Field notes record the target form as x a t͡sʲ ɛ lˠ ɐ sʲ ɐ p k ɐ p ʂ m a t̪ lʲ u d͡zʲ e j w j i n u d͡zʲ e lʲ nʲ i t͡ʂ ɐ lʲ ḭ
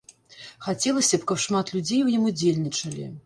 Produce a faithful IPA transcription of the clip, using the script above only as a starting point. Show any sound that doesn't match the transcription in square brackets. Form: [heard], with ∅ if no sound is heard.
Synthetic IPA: x a t͡sʲ ɛ lˠ ɐ sʲ ɐ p k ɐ p ʂ m a t̪ lʲ u d͡zʲ e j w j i [m] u d͡zʲ e lʲ nʲ i t͡ʂ ɐ lʲ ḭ